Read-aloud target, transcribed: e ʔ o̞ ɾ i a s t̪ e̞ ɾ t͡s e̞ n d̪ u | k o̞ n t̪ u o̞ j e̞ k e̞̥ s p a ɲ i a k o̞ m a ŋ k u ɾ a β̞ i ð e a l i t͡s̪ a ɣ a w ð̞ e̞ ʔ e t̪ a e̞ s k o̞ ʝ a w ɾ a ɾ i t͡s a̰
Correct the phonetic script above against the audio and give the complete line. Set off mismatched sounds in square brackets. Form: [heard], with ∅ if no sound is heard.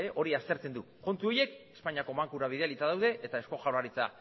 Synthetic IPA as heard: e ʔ o̞ ɾ i a s t̪ e̞ ɾ t͡s e̞ n d̪ u | k o̞ n t̪ u o̞ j e̞ k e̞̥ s p a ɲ i a k o̞ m a ŋ k u ɾ a β̞ i ð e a l i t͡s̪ a [ð] a w ð̞ e̞ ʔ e t̪ a e̞ s k o̞ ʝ a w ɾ a ɾ i t͡s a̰